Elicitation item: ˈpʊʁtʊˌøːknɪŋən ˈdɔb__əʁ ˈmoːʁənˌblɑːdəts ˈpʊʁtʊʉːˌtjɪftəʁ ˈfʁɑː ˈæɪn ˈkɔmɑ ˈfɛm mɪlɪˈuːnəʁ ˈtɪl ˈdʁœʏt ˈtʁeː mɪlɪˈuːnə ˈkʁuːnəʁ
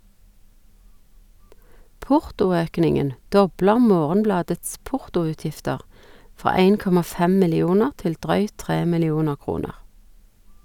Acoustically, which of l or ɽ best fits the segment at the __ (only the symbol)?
l